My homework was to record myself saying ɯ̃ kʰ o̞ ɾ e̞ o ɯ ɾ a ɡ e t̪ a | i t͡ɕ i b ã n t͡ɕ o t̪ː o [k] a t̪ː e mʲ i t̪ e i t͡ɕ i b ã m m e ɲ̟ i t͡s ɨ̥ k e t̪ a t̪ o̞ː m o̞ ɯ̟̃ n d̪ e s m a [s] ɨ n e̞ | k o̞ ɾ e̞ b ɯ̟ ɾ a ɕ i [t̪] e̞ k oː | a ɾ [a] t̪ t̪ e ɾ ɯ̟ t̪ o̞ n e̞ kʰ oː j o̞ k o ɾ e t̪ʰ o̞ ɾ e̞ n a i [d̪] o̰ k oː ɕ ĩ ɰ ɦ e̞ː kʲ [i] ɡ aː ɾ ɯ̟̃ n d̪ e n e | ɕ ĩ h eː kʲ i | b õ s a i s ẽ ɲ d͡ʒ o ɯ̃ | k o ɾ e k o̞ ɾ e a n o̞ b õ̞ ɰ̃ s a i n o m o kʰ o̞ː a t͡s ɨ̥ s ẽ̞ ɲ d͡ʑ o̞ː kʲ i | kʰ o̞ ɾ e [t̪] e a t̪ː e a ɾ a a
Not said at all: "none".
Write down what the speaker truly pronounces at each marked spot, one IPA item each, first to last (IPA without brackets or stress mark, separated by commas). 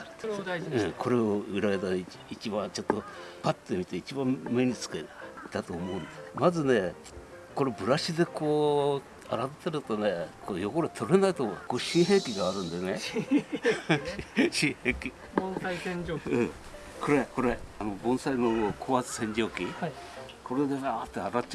p, z, d̪, a, t̪, i, d̪